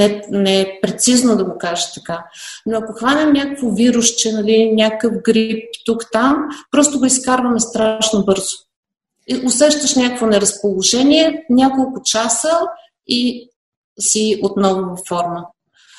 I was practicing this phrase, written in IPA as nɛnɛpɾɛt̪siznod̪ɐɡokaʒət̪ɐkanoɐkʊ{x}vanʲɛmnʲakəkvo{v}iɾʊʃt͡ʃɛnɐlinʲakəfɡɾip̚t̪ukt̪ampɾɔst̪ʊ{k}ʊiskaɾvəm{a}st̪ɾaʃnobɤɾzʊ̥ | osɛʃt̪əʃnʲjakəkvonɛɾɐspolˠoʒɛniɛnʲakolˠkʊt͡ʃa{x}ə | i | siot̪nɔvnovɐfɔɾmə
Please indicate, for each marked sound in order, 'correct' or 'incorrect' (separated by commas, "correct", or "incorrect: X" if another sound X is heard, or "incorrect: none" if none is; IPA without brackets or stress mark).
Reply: correct, correct, incorrect: ɡ, incorrect: ɛ, incorrect: s